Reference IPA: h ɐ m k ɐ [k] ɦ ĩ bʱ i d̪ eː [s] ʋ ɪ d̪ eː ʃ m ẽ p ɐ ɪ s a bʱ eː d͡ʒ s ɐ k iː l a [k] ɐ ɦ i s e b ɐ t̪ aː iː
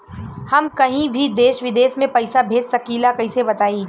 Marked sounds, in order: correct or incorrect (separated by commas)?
incorrect, incorrect, correct